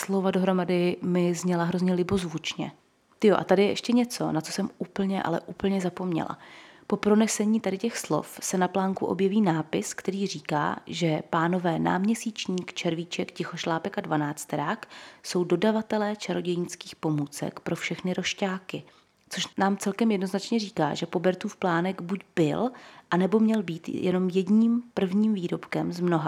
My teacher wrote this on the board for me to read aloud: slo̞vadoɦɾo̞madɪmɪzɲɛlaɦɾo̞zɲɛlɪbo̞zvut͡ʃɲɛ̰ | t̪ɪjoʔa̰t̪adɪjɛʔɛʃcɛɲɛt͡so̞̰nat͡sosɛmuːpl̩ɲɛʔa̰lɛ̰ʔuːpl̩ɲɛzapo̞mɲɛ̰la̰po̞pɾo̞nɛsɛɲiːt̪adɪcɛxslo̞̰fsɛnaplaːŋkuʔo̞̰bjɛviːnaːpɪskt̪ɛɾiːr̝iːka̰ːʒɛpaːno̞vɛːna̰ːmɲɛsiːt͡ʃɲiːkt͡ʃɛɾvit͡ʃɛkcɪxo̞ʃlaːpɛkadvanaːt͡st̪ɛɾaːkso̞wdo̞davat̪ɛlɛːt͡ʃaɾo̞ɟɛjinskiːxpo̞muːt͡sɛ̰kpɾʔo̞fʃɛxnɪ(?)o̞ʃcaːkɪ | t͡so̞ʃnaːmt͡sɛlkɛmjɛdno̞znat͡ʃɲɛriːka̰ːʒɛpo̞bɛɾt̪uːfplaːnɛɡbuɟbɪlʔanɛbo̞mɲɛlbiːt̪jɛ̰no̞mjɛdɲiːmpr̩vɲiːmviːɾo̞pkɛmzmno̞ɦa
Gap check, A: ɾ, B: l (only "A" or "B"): A